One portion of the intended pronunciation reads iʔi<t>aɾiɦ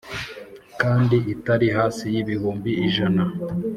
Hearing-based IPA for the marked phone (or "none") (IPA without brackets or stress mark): t